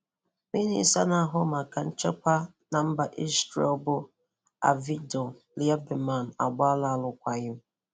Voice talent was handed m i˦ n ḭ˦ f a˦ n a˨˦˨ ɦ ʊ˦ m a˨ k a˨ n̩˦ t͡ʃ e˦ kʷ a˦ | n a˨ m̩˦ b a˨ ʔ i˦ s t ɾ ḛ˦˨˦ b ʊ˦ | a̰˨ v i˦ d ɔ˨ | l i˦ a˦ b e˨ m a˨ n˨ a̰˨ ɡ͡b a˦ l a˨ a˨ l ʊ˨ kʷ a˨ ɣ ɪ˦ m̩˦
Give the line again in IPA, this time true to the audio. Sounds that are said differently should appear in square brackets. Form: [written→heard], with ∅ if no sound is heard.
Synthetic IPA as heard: m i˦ n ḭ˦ [f→s] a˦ n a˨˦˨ ɦ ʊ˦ m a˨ k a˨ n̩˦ t͡ʃ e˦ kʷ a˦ | n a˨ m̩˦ b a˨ ʔ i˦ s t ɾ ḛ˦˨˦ b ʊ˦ | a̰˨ v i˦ d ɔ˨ | l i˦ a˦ b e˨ m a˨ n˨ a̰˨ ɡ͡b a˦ l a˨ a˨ l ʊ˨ kʷ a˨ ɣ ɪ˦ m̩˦